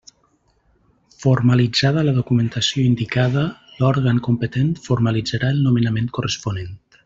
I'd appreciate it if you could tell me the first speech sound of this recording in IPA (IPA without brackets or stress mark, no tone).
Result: f